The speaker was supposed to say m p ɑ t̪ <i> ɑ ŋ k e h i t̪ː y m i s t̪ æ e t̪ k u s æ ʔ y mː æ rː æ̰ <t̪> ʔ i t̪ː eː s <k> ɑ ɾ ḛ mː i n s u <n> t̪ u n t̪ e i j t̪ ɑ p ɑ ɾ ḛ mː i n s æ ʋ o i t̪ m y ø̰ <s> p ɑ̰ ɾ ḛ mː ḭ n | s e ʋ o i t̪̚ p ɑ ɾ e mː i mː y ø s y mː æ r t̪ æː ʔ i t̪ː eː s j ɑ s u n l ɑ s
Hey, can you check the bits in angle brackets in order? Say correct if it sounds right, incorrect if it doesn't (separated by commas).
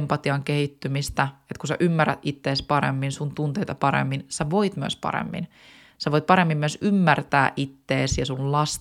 correct, correct, incorrect, correct, correct